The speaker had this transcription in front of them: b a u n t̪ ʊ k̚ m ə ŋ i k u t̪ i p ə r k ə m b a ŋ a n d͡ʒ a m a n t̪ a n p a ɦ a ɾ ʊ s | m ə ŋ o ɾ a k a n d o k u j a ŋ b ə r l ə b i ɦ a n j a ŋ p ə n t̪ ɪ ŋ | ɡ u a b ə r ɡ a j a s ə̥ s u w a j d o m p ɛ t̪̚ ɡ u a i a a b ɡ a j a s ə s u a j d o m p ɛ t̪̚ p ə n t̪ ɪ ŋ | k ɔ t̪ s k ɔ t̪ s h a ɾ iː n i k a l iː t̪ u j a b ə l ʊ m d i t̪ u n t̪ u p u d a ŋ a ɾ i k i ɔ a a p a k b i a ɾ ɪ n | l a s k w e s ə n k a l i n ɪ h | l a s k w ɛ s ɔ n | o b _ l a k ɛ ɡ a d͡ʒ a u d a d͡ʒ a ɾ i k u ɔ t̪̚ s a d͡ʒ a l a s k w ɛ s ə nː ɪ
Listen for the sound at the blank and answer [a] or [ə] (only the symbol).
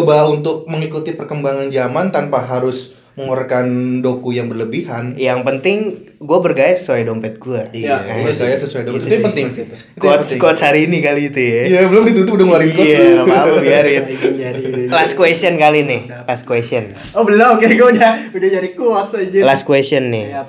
ə